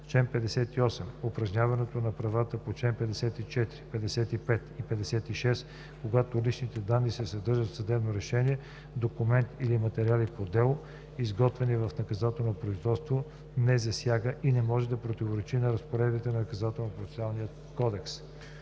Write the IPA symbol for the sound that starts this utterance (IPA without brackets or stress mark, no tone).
t͡ʃ